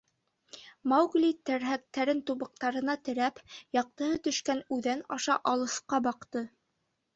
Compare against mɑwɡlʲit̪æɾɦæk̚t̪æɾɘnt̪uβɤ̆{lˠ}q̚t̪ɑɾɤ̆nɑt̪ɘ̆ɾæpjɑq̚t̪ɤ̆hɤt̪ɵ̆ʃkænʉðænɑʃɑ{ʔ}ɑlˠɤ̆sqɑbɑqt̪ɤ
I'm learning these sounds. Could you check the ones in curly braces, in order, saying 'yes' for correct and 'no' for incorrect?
no, yes

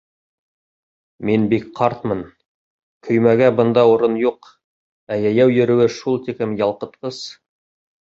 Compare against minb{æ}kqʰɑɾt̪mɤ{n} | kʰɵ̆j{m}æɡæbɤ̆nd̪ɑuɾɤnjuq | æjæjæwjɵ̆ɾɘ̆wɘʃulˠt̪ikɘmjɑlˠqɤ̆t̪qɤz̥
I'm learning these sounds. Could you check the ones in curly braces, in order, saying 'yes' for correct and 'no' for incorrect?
no, yes, yes

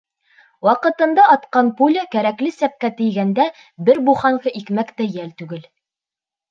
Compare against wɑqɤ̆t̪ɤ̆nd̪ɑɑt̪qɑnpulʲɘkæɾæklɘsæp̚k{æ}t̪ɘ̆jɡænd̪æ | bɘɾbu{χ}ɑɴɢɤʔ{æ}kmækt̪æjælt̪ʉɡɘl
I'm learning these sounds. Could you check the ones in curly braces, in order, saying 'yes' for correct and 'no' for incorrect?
yes, yes, no

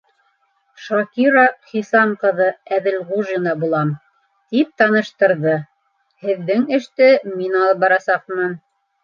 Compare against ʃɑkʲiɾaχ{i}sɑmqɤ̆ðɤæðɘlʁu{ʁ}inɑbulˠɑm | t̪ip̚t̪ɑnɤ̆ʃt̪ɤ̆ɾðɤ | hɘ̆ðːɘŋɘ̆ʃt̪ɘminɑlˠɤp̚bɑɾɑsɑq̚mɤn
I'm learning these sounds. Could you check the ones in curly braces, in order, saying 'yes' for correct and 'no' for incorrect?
yes, no

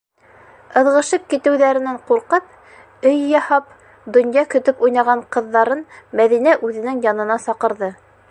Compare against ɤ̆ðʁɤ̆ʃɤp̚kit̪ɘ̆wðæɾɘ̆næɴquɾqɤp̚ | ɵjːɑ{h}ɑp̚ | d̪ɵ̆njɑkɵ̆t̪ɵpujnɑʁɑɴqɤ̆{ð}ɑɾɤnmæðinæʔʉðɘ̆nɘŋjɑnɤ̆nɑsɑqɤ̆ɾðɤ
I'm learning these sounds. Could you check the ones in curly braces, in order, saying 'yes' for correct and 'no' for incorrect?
yes, no

